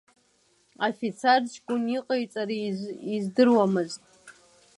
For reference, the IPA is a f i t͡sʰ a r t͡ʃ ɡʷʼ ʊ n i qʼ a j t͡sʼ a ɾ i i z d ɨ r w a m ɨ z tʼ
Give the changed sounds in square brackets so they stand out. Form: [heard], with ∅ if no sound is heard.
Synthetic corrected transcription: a f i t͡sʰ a r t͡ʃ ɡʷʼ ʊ n i qʼ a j t͡sʼ a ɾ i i z d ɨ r w a m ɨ z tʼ